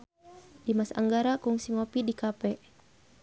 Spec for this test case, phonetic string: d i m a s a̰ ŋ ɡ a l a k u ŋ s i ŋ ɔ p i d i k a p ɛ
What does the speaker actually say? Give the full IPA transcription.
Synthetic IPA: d i m a s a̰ ŋ ɡ a ɾ a k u ŋ s i ŋ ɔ p i d i k a p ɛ